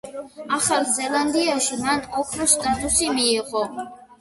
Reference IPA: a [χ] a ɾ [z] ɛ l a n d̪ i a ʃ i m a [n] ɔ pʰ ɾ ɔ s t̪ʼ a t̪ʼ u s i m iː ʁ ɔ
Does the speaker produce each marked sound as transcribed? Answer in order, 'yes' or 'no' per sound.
yes, yes, yes

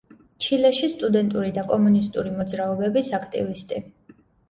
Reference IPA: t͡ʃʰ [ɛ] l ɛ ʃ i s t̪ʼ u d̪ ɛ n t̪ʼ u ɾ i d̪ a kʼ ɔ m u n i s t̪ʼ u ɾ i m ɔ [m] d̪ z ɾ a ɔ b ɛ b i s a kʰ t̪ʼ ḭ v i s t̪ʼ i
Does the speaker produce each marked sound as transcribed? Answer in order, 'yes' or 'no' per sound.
no, no

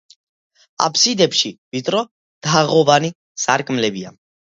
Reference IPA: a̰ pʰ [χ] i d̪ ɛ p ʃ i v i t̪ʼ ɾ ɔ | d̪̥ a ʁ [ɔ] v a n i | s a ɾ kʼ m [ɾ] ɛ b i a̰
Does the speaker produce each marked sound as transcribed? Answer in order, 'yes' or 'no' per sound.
no, yes, no

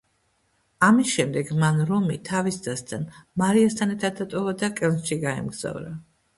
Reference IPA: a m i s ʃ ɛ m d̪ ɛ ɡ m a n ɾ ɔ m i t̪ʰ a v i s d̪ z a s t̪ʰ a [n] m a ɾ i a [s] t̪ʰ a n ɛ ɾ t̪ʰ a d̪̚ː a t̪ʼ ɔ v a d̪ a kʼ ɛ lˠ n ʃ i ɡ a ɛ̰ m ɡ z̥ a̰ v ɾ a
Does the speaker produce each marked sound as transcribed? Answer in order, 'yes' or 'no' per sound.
yes, yes

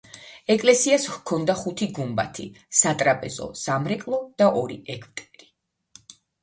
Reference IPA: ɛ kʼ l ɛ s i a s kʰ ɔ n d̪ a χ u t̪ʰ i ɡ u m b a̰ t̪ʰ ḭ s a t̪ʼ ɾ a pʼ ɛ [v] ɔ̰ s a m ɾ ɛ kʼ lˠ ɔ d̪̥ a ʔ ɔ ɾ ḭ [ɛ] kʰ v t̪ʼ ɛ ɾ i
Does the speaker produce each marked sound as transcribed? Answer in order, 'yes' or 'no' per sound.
no, yes

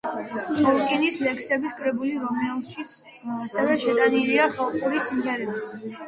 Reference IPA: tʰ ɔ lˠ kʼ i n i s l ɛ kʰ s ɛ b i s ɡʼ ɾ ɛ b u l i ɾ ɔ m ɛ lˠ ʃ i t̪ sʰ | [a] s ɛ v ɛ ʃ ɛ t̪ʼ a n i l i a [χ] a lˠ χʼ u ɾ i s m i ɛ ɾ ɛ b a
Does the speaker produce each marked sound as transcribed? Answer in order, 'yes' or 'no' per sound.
yes, yes

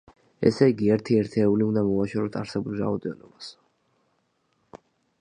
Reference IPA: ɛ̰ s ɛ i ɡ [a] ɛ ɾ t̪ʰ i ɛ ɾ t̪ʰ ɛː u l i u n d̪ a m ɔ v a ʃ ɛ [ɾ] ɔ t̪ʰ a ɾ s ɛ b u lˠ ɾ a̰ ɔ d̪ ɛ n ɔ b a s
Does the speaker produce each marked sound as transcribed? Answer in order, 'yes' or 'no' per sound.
no, yes

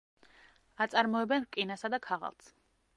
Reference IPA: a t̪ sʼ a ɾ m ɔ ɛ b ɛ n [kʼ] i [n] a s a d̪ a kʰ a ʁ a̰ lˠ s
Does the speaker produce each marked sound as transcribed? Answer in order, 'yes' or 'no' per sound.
yes, yes

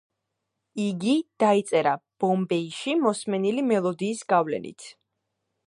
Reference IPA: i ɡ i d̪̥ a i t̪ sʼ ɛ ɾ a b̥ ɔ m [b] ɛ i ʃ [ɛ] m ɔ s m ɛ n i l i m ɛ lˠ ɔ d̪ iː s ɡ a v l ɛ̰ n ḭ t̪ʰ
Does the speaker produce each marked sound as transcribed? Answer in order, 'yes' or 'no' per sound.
yes, no

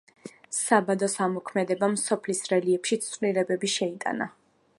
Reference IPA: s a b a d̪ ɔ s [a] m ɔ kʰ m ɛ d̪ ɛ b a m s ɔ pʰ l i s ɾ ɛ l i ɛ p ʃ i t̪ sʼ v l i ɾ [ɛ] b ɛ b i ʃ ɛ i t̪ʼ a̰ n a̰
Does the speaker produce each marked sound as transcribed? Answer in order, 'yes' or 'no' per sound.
yes, yes

